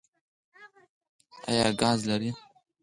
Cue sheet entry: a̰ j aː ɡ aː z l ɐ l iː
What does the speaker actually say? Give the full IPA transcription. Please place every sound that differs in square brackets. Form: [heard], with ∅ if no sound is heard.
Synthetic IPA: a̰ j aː ɡ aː z l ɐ [ɾ] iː